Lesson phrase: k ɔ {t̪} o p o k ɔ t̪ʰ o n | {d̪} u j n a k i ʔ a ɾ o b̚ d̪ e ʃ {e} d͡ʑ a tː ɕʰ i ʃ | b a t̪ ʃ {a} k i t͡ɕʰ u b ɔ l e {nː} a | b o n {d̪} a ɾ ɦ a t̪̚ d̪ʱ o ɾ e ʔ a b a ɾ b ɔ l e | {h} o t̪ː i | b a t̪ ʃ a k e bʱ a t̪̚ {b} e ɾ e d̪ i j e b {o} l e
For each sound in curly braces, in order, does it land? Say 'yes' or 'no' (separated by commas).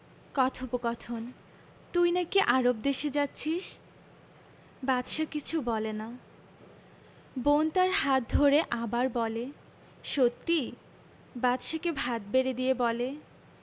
no, no, yes, yes, no, no, no, yes, no